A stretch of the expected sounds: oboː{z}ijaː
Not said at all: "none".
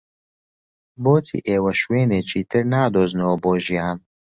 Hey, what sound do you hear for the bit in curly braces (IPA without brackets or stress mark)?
ʒ